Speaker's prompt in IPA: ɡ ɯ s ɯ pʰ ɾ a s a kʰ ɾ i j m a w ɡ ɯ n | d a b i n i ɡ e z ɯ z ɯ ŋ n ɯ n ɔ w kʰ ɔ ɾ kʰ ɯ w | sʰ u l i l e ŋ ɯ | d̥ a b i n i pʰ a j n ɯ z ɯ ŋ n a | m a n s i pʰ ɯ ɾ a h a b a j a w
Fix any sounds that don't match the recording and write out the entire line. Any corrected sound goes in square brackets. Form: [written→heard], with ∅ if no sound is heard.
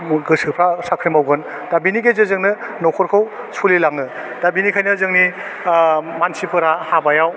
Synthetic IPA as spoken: ɡ ɯ s ɯ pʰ ɾ a s a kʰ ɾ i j m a w ɡ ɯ n | d a b i n i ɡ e z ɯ z ɯ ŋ n ɯ n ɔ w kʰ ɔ ɾ kʰ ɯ w | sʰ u l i l [e→a] ŋ ɯ | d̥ a b i n i [pʰ→kʰ] a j n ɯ z ɯ ŋ n [a→i] | m a n s i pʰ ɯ ɾ a h a b a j a w